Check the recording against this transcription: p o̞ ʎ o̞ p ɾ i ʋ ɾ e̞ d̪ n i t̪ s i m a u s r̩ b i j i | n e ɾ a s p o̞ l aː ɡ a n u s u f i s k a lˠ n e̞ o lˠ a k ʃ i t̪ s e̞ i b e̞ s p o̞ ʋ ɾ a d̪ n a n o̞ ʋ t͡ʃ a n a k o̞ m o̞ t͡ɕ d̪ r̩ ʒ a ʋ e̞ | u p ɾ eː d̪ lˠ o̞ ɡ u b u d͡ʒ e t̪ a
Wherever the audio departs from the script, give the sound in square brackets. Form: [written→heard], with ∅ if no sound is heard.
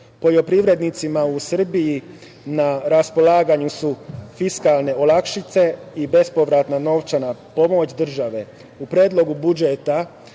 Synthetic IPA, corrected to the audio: p o̞ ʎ o̞ p ɾ i ʋ ɾ e̞ d̪ n i t̪ s i m a u s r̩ b i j i | n [e→a] ɾ a s p o̞ l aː ɡ a [n→ɲ] u s u f i s k a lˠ n e̞ o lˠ a k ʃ i t̪ s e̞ i b e̞ s p o̞ ʋ ɾ a [d̪→t̪] n a n o̞ ʋ t͡ʃ a n a [k→p] o̞ m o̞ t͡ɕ d̪ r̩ ʒ a ʋ e̞ | u p ɾ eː d̪ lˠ o̞ ɡ u b u d͡ʒ e t̪ a